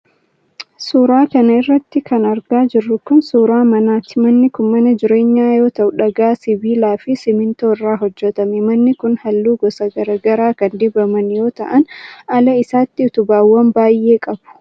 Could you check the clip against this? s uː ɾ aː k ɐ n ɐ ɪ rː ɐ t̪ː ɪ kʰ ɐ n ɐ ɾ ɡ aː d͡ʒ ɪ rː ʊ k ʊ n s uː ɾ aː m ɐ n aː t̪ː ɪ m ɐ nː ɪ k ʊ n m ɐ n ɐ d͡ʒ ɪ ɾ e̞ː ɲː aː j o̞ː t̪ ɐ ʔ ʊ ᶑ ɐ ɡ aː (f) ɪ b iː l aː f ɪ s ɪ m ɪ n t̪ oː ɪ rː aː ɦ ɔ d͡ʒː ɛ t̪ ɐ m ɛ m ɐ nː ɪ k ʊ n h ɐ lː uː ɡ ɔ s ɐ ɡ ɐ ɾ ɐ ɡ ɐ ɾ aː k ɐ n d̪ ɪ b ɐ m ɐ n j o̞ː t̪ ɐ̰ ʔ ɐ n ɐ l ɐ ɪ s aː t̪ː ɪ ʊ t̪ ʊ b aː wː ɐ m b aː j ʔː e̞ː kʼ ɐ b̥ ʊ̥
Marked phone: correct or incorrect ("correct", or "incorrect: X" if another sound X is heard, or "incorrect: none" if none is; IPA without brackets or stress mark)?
incorrect: s